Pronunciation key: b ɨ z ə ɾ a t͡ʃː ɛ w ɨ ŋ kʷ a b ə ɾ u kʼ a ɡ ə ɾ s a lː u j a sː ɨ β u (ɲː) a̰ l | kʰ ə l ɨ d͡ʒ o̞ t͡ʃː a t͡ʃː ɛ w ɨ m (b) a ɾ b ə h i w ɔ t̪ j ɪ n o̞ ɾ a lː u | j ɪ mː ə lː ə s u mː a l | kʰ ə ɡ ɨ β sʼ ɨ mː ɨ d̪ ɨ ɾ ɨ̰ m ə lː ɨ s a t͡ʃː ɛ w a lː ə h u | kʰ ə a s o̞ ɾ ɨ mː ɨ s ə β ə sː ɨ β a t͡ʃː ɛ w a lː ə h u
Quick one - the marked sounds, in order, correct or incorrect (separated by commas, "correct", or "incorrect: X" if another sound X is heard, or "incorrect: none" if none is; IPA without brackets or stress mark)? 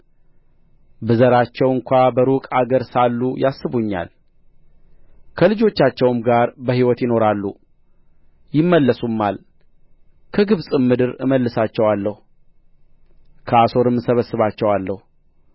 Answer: correct, incorrect: ɡ